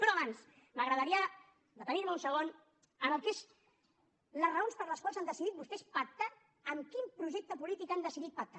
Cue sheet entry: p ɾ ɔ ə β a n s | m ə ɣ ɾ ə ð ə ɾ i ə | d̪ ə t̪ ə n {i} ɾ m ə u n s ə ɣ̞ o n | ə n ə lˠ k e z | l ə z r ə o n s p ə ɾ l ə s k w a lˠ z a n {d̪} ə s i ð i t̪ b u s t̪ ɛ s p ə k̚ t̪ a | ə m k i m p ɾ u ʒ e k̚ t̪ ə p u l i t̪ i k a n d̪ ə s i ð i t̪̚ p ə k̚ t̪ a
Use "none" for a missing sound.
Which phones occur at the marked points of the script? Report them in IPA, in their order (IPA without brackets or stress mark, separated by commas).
i, d̪